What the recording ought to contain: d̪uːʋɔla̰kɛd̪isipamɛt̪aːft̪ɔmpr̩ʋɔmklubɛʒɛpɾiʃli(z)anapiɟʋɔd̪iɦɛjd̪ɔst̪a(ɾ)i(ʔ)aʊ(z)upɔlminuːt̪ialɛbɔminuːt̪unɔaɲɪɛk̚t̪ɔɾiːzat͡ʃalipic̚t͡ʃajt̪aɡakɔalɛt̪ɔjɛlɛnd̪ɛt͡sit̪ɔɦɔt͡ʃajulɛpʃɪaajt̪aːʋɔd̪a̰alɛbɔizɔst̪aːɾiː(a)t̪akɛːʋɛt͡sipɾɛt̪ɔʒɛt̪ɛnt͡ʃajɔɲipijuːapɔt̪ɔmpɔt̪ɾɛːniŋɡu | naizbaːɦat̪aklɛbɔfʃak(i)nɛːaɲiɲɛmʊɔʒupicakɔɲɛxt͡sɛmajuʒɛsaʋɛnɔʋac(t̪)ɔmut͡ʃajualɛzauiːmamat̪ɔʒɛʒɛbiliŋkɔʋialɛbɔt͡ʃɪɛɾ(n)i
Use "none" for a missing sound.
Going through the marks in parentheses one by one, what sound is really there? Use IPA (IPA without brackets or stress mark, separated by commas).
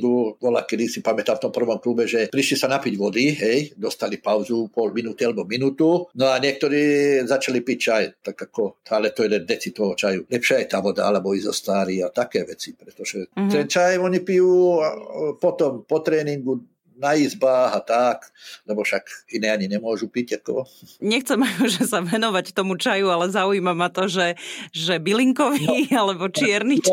s, l, p, z, a, i, t̪, n